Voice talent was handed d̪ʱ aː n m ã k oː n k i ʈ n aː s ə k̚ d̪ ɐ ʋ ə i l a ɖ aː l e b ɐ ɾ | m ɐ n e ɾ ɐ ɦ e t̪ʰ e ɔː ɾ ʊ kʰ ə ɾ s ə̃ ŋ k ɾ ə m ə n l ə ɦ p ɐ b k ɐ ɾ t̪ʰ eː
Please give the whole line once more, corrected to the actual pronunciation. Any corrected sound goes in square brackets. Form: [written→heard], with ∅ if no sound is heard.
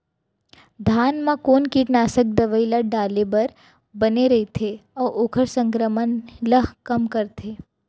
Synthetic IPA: d̪ʱ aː n m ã k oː n k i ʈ n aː s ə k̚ d̪ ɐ ʋ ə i l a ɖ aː l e b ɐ ɾ | [m→b] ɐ n e ɾ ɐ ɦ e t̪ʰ e ɔː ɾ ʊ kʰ ə ɾ s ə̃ ŋ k ɾ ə m ə n l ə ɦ [p→k] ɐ [b→m] k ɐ ɾ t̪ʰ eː